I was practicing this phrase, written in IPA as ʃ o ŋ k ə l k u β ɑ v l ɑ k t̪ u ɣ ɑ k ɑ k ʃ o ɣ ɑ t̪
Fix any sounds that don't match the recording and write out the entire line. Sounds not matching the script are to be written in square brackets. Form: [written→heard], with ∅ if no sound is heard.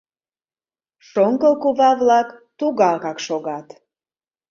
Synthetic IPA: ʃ o ŋ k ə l k u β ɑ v l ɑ k t̪ u ɣ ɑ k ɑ k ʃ o ɣ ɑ t̪

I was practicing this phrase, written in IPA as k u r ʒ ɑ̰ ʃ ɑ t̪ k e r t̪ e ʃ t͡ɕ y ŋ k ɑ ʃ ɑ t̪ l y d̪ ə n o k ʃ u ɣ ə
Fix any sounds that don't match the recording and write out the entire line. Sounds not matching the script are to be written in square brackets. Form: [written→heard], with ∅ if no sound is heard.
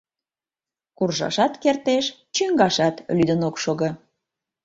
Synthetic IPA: k u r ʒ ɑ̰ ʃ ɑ t̪ k e r t̪ e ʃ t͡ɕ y ŋ [k→ɡ] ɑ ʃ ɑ t̪ l y d̪ ə n o k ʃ [u→o] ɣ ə

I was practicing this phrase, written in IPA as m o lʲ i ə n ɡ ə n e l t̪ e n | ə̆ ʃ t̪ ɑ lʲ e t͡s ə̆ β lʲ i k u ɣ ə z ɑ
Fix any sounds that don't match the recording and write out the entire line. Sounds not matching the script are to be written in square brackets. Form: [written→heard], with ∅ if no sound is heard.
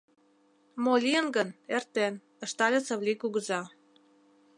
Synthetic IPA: m o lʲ i ə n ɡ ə n e [l→r] t̪ e n | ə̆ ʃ t̪ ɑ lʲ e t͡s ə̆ β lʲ i k u ɣ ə z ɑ

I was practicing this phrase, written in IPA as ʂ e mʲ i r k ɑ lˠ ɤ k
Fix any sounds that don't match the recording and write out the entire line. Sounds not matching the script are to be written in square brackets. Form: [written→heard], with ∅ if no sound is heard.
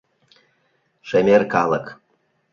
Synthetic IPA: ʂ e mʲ [i→e] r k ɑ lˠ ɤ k

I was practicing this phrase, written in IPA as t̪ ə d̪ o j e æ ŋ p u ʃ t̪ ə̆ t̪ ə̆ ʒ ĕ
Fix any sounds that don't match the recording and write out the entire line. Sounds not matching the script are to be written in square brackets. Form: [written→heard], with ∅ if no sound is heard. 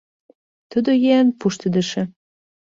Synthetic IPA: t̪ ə d̪ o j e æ [ŋ→n] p u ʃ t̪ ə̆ [t̪→d̪] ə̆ [ʒ→ʃ] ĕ

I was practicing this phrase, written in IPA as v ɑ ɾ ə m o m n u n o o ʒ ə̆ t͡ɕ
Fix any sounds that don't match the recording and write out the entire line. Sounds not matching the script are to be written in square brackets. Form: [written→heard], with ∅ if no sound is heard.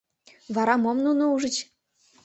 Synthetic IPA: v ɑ ɾ [ə→ɑ] m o m n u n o [o→u] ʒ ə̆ t͡ɕ

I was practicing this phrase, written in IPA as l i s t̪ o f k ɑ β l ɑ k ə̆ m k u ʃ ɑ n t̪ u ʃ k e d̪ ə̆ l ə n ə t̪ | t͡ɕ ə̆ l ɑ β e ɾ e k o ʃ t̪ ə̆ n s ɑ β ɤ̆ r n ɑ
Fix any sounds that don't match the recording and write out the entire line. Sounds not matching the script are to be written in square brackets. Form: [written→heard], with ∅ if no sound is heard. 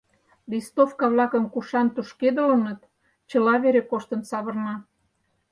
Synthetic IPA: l i s t̪ o f k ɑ β l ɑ k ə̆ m k u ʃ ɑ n t̪ u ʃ k e d̪ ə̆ l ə n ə t̪ | t͡ɕ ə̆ l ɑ β e ɾ e k o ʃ t̪ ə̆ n s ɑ β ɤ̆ r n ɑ

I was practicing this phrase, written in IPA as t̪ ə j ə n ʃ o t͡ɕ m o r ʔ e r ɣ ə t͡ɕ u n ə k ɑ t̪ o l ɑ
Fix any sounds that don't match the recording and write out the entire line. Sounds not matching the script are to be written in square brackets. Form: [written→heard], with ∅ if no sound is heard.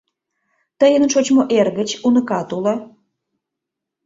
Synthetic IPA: t̪ ə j ə n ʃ o t͡ɕ m o [r→∅] ʔ e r ɣ ə t͡ɕ u n ə k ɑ t̪ [o→u] l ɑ

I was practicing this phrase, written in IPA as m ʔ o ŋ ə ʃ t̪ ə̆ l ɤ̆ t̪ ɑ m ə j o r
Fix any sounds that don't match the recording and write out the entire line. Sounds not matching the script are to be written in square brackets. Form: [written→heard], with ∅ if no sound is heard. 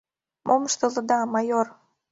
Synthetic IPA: m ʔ o [ŋ→m] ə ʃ t̪ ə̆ l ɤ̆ [t̪→d̪] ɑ m [ə→ɑ] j o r

